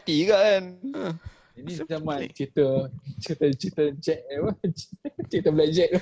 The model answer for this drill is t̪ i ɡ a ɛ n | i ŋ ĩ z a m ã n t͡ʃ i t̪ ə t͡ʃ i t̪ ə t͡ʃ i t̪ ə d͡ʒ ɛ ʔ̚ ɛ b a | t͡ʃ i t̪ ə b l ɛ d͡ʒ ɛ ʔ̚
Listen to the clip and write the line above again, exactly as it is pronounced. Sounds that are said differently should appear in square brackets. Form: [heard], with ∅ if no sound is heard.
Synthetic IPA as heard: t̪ i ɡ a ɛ n | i [n] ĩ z a m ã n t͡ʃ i t̪ ə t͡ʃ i t̪ ə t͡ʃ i t̪ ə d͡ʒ ɛ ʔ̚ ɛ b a | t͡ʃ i t̪ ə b l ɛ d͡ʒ ɛ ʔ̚